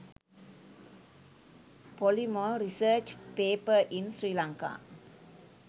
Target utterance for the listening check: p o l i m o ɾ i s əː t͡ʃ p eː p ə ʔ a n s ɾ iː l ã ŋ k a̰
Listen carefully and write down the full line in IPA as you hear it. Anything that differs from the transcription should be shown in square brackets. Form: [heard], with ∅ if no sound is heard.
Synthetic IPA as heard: p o l i m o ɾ i s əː t͡ʃ p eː p ə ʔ [i] n s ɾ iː l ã ŋ k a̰